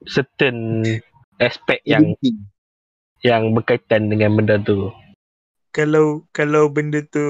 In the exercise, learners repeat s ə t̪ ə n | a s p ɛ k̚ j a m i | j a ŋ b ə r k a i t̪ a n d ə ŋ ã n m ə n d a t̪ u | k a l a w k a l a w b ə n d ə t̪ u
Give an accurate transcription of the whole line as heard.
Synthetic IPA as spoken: s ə t̪ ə n | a s p ɛ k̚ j a ŋ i | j a ŋ b ə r k a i t̪ a n d ə ŋ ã n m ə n d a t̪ u | k a l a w k a l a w b ə n d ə t̪ u